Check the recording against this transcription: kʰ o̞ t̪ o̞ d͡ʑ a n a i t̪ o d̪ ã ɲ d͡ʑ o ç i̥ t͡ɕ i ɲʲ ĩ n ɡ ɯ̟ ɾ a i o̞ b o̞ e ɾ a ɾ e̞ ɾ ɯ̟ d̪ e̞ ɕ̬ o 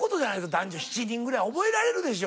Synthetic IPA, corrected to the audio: k o̞ t̪ o̞ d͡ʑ a n a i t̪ o d̪ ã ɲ d͡ʑ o ç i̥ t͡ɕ i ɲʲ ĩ ŋ ɡ ɯ̟ ɾ a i o̞ b o̞ e ɾ a ɾ e̞ ɾ ɯ̟ d̪ e̞ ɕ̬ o